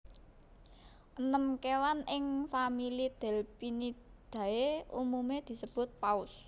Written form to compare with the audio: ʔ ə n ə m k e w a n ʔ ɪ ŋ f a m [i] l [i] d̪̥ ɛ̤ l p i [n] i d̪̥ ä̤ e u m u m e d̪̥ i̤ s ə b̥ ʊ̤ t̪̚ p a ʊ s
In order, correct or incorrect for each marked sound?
correct, correct, correct

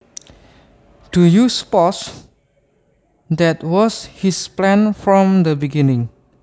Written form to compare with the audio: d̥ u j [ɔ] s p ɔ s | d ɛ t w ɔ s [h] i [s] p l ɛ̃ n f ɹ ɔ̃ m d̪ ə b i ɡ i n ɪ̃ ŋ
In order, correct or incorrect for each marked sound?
incorrect, correct, correct

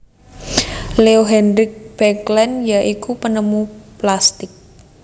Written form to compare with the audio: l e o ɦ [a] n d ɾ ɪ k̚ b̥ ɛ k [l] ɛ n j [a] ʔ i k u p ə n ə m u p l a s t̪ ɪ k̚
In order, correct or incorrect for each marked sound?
incorrect, correct, correct

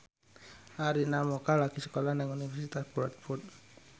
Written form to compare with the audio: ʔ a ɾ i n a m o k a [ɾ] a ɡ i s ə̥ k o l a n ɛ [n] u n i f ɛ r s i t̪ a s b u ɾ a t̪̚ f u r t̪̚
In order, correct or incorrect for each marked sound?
incorrect, incorrect

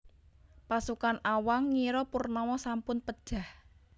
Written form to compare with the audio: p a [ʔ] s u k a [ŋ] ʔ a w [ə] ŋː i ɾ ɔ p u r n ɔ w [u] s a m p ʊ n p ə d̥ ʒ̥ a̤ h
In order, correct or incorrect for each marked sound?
incorrect, incorrect, incorrect, incorrect

